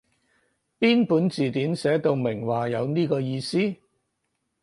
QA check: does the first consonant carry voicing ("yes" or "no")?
no